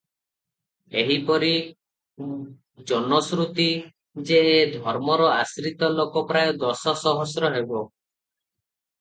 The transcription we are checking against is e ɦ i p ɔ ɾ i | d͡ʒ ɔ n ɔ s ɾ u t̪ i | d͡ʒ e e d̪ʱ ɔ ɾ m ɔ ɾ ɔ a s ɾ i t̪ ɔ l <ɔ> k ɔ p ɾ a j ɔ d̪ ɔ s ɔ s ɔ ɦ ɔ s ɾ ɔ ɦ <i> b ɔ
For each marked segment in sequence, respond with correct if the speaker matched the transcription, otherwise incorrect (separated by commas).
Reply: incorrect, incorrect